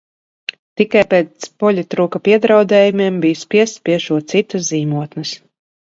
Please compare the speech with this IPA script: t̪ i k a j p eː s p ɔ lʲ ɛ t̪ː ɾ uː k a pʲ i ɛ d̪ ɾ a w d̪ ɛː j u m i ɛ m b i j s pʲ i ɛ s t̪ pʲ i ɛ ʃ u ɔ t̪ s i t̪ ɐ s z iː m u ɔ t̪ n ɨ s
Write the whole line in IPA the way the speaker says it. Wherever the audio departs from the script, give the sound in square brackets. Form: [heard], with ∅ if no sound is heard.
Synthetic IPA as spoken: t̪ i k a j p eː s p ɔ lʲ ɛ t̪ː ɾ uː k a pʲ i ɛ d̪ ɾ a w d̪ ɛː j u m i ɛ m b i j s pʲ i ɛ s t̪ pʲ i ɛ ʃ u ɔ t̪ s i t̪ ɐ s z iː m u ɔ t̪ n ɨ s